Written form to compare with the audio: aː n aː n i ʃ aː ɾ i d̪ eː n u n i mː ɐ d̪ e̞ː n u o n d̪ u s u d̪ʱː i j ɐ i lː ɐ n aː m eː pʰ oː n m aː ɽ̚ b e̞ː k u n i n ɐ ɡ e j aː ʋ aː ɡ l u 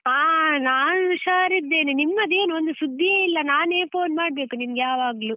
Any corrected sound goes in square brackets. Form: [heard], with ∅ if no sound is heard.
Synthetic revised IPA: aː n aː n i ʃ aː ɾ i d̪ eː n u n i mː ɐ d̪ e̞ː n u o n d̪ u s u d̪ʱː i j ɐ i lː ɐ n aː [n] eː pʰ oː n m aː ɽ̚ b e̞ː k u n i [m] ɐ ɡ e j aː ʋ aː ɡ l u